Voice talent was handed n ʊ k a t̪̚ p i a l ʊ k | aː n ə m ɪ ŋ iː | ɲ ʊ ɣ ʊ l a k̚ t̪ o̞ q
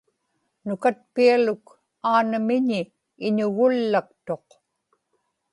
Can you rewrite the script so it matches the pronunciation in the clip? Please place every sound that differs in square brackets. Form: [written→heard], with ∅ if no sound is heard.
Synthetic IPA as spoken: n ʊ k a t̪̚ p i a l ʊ k | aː n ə m ɪ [ŋ→ɲ] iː | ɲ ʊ ɣ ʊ [l→lː] a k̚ t̪ o̞ q